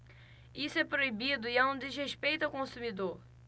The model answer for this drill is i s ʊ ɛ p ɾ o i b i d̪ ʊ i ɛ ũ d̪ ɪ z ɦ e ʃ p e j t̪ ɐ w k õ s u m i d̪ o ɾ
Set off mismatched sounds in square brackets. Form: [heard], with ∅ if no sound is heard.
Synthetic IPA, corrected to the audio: i s ʊ ɛ p ɾ o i b i d̪ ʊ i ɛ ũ d̪ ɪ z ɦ e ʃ p e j t̪ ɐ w k õ s u m i d̪ o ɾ